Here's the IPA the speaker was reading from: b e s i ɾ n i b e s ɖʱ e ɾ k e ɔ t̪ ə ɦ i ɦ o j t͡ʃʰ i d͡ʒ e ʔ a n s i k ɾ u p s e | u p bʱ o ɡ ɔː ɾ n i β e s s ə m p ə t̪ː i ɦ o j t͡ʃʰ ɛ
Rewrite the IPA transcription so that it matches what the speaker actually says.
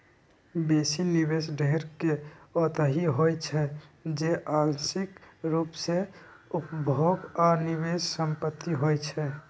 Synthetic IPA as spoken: b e s i n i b e s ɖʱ e ɾ k e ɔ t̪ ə ɦ i ɦ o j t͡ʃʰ ɛ d͡ʒ e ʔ a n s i k ɾ u p s e | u p bʱ o ɡ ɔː ɾ n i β e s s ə m p ə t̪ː i ɦ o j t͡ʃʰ ɛ